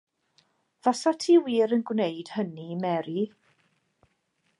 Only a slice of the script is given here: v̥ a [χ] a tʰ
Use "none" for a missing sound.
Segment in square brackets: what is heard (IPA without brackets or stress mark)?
s